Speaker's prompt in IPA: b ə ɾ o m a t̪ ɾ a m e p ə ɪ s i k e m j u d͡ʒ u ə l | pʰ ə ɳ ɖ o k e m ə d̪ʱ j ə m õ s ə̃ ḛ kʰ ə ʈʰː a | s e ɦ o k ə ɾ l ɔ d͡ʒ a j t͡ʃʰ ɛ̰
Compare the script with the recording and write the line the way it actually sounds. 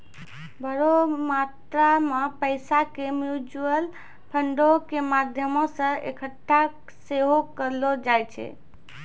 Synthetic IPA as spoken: b ə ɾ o m a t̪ ɾ a m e p ə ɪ s a k e m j u d͡ʒ u ə l | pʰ ə ɳ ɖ o k e m a d̪ʱ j ə m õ s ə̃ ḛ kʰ ə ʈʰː a | s e ɦ o k ə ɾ l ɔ d͡ʒ a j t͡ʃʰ ɛ̰